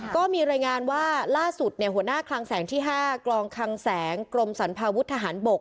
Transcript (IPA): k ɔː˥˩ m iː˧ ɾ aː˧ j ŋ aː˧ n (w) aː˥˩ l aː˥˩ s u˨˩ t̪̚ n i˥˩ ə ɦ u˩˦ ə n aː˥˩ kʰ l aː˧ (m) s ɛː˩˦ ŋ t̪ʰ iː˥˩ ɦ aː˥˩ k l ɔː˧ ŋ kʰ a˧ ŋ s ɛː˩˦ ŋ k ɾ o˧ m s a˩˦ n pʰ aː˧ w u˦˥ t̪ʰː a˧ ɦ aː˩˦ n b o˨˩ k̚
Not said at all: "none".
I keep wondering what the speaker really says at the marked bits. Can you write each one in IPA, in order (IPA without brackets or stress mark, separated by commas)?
w, ŋ